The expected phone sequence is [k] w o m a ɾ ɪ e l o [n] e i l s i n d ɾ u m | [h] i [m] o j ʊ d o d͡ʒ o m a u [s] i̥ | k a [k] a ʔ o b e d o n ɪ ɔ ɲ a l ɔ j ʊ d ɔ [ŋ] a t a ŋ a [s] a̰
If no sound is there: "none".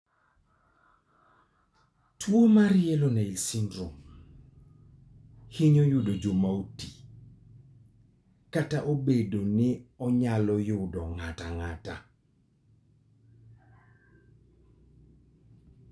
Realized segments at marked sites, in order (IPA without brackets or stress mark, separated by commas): t, n, h, ɲ, t, t, ŋ, t